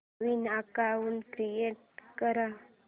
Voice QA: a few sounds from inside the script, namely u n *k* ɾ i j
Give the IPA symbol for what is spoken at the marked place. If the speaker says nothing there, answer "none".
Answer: k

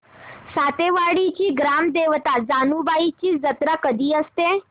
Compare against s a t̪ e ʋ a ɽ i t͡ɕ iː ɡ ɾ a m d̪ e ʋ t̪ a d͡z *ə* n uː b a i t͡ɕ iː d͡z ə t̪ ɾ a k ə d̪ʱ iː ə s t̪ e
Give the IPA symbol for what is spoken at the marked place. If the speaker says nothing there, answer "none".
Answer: a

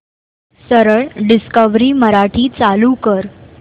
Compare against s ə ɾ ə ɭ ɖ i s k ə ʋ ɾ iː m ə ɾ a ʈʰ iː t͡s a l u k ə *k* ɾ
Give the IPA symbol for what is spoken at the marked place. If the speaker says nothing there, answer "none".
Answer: none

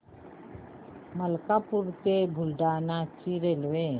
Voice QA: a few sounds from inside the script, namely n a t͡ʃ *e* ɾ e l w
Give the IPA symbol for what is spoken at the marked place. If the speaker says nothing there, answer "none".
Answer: i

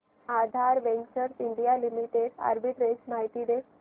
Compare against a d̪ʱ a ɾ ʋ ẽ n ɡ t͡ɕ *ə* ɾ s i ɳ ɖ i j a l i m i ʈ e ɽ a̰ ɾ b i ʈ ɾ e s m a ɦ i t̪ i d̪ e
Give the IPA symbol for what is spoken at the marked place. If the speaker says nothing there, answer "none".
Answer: ə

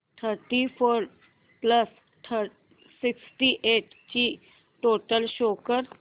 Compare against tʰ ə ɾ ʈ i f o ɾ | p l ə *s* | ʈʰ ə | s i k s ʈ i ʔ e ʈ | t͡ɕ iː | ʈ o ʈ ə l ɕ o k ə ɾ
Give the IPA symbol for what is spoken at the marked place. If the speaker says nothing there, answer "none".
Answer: s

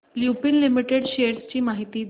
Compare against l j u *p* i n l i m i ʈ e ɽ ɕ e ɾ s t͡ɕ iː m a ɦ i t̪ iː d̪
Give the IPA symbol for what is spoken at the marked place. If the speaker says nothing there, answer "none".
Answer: p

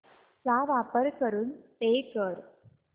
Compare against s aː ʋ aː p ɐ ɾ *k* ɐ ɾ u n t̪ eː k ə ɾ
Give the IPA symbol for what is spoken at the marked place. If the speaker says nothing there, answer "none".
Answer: k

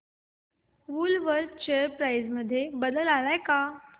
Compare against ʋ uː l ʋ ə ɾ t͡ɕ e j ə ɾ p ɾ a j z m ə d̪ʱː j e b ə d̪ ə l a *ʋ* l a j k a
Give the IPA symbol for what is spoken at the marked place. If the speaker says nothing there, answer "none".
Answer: none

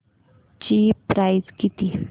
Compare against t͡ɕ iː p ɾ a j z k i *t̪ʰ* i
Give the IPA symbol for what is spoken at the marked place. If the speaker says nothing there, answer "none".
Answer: t̪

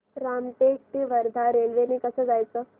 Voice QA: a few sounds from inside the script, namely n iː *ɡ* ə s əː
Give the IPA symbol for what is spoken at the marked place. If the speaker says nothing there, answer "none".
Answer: k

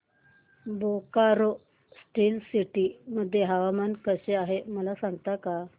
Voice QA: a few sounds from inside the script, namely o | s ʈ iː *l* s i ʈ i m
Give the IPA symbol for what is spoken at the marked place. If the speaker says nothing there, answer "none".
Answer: l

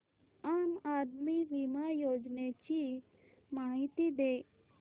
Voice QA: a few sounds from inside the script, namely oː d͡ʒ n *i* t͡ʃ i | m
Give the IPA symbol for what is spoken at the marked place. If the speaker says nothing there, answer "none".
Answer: e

